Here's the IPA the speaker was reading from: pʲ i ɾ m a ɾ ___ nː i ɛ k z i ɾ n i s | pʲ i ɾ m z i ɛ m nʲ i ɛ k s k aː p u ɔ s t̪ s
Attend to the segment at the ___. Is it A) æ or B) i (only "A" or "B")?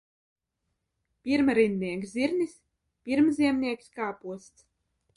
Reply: B